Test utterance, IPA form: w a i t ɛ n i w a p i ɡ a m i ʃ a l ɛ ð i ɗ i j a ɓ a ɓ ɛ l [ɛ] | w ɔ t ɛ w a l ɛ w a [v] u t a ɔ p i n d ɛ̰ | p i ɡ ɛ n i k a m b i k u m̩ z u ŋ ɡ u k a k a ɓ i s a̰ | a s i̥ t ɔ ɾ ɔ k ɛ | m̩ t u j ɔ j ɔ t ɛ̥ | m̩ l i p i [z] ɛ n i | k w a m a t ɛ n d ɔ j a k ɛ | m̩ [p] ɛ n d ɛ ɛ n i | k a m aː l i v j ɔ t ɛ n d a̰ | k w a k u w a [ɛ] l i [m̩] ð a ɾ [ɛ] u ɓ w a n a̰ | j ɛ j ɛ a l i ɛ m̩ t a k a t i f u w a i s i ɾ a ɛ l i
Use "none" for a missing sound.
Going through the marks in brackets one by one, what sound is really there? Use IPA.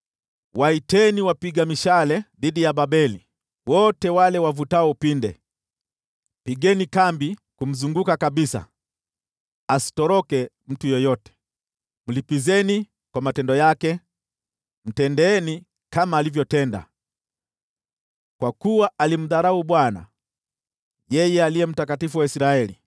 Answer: i, v, z, t, a, m̩, a

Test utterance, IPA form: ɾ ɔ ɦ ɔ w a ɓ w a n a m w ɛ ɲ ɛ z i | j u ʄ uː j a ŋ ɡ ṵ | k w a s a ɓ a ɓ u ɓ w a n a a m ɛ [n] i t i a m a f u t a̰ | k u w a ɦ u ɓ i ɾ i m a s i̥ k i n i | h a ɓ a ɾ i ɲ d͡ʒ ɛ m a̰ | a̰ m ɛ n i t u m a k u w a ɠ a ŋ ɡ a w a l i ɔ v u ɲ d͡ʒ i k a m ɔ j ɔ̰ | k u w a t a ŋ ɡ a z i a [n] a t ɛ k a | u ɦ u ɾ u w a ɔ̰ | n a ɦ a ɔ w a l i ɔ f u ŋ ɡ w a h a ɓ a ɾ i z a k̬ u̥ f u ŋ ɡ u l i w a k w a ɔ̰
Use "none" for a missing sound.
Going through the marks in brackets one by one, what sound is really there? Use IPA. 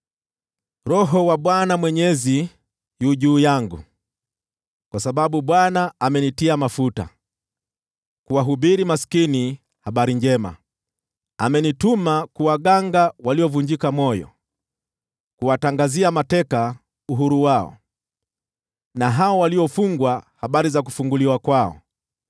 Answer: n, m

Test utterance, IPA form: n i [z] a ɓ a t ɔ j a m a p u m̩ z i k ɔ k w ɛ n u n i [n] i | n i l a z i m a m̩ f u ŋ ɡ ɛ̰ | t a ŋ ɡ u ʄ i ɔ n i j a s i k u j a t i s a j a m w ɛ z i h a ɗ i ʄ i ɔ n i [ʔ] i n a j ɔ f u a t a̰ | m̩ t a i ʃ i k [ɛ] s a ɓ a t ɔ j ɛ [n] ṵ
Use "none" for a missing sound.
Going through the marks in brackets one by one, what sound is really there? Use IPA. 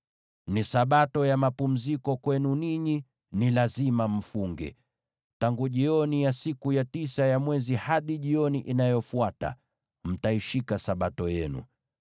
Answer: s, ɲ, ʔ, a, n

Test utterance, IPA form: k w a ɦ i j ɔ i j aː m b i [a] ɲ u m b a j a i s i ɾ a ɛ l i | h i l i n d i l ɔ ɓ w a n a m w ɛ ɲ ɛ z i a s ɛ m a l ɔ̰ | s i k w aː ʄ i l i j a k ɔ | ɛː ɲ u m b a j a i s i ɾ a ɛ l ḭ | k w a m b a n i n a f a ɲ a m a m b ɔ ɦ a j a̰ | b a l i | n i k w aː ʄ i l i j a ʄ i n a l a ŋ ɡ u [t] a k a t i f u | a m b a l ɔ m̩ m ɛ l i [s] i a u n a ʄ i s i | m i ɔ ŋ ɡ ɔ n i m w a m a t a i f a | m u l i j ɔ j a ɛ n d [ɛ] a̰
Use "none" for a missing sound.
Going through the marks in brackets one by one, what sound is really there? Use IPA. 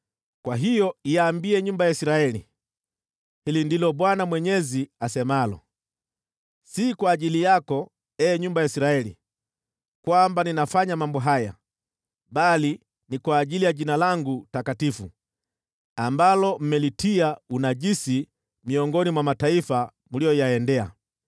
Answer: ɛ, t, t, ɛ

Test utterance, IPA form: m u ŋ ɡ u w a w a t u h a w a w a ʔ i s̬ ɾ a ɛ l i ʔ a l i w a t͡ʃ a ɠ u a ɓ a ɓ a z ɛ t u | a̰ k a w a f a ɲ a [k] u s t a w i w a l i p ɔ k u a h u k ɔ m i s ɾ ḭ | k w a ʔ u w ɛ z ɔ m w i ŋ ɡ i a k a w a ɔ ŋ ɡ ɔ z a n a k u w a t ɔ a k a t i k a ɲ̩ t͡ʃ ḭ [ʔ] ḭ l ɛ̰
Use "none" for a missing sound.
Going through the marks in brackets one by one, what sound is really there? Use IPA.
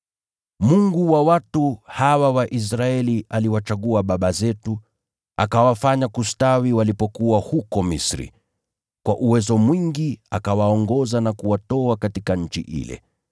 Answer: k, ʔ

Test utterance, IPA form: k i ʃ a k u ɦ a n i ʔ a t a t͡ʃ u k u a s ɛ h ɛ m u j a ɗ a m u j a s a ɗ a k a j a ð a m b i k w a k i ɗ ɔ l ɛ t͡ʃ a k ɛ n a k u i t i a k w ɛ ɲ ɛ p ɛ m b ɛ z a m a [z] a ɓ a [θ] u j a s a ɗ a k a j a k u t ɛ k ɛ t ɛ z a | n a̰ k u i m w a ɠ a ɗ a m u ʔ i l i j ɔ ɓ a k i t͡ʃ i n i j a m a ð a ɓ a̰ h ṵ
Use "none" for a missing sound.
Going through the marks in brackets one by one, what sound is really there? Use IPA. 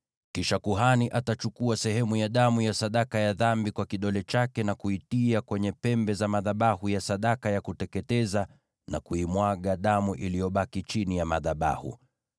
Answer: ð, h

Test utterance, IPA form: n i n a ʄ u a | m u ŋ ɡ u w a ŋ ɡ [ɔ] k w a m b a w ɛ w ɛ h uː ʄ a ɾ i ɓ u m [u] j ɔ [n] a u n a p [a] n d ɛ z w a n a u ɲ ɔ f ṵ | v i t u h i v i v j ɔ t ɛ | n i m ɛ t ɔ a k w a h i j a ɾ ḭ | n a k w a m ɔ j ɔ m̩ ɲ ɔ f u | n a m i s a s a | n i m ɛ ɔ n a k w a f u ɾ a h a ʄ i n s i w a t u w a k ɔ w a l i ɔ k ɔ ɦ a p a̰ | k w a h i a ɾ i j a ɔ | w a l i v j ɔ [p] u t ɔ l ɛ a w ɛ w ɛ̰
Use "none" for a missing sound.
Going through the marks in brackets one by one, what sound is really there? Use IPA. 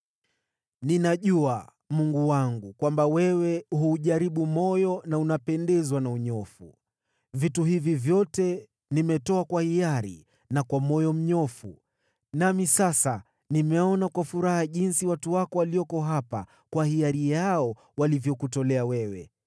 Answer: u, ɔ, n, ɛ, k

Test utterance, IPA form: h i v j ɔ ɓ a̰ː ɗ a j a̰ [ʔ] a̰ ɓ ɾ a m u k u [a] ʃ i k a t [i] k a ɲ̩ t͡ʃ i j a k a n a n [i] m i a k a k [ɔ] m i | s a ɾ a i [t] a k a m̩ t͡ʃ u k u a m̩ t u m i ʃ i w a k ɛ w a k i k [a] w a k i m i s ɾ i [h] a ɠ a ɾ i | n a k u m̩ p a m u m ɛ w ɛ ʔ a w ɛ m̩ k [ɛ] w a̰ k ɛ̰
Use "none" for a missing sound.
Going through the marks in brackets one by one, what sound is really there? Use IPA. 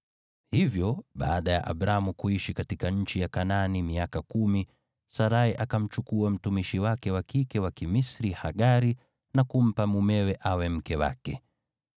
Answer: ʔ, i, i, i, u, ʔ, ɛ, h, ɛ

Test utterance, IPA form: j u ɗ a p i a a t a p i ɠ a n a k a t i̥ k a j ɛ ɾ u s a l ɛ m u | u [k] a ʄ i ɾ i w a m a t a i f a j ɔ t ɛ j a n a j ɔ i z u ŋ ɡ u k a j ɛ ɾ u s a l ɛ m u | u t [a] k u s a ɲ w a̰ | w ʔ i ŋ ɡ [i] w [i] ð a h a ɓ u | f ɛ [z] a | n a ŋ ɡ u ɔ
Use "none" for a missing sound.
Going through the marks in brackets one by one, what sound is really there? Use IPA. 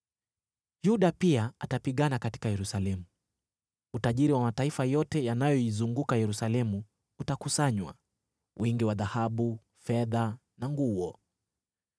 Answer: t, a, i, a, ð

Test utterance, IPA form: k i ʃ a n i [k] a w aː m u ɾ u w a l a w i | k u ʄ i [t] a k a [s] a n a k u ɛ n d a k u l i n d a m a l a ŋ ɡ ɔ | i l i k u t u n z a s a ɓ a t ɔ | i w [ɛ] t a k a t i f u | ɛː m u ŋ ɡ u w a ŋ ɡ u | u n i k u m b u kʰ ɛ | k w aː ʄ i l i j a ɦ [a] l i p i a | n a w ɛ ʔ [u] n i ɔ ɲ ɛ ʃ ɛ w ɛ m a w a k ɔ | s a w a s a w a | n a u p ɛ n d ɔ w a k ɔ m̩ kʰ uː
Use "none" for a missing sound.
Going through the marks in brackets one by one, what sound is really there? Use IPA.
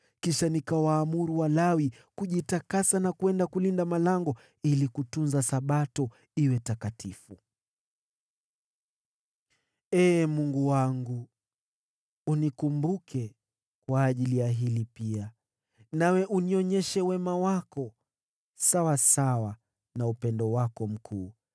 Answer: k, t, s, ɛ, i, u

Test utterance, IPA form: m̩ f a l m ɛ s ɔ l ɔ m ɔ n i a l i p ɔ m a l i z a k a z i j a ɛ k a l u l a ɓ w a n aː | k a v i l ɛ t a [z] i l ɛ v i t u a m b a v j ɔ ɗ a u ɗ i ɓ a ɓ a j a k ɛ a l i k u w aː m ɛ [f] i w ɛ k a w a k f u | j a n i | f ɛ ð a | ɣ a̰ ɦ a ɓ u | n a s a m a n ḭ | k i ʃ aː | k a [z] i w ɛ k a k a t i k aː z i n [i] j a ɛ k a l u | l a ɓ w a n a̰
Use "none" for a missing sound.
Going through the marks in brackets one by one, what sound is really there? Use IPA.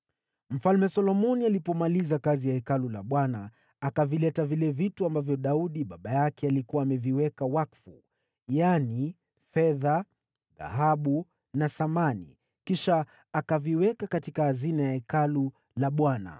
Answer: v, v, v, a

